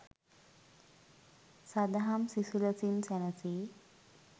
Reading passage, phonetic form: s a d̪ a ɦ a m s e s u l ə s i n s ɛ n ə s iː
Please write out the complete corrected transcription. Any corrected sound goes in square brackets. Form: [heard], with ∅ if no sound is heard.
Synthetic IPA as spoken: s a d̪ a ɦ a m s [i] s u l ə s i n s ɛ n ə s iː